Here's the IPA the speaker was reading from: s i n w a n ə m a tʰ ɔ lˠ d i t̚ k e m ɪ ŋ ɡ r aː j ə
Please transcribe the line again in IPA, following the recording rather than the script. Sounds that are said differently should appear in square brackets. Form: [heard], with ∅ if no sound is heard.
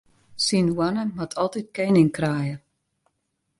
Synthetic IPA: s i n w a n ə m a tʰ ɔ lˠ [t] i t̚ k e [n] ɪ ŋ [k] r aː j ə